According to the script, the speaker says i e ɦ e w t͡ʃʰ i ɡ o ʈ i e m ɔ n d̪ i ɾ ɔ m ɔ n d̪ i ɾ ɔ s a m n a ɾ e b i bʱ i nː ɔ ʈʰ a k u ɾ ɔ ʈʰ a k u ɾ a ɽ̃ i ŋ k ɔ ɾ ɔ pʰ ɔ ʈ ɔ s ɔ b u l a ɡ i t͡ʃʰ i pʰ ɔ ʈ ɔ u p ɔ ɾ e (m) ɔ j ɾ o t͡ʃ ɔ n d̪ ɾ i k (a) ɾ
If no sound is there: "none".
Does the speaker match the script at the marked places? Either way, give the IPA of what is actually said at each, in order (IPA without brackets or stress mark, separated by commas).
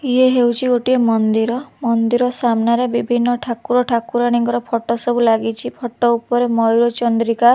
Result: m, a